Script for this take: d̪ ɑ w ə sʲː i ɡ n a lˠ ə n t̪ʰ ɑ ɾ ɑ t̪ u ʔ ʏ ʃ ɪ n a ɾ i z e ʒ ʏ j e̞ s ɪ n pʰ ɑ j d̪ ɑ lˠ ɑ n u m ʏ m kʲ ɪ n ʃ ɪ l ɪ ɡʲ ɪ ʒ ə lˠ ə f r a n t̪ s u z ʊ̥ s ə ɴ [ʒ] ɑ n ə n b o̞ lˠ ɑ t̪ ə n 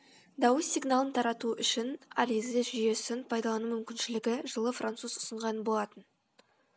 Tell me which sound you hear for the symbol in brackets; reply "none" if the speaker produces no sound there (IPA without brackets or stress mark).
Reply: ʁ